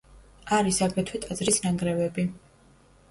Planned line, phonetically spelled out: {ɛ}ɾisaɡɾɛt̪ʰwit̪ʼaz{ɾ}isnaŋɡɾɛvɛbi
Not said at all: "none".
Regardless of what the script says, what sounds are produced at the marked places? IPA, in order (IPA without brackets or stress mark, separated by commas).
a, ɾ